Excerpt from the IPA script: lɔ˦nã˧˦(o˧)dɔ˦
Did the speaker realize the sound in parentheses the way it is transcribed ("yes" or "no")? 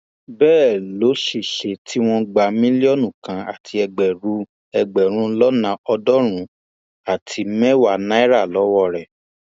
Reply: no